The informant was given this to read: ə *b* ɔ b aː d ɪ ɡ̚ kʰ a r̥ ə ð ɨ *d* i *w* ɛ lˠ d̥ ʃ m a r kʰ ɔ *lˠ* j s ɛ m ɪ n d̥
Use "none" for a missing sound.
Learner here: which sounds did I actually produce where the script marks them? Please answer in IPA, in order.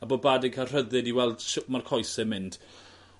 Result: b, d, w, none

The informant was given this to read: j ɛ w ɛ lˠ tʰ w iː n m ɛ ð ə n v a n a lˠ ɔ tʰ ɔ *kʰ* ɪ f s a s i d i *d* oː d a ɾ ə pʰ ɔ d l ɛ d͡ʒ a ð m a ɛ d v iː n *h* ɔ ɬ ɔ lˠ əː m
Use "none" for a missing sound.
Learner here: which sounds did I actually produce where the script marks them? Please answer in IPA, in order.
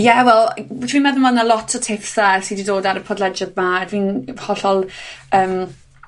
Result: tʰ, d, h

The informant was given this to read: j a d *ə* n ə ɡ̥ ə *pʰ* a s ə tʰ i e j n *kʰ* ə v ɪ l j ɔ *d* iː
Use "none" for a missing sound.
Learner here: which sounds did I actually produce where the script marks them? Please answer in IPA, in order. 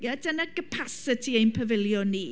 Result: ə, pʰ, pʰ, n

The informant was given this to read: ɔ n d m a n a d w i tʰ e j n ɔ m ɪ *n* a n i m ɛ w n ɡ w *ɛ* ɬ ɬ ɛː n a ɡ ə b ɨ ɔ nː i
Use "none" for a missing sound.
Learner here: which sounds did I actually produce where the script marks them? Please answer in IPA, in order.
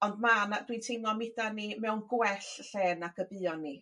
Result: d, ɛ

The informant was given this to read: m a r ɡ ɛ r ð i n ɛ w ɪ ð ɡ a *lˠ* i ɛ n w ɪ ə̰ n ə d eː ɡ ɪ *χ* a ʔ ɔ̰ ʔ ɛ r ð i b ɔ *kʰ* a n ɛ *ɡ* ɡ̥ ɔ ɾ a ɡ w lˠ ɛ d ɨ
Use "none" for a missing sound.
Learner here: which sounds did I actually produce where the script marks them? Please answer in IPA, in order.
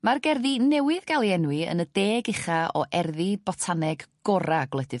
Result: lˠ, χ, tʰ, ɡ

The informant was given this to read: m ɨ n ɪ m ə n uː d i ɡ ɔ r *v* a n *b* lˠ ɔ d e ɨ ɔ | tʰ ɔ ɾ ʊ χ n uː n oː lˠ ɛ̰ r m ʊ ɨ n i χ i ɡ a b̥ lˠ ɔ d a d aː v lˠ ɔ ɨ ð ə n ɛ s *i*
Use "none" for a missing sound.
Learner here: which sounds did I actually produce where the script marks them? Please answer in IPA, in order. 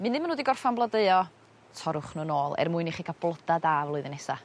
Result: f, b, a

